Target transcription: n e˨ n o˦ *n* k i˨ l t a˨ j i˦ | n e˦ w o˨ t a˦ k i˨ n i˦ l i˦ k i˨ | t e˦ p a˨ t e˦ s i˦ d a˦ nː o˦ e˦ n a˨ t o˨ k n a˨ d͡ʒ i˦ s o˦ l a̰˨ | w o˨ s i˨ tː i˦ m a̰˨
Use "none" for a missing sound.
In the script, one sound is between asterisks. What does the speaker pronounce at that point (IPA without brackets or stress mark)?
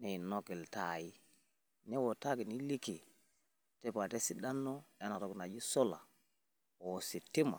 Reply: none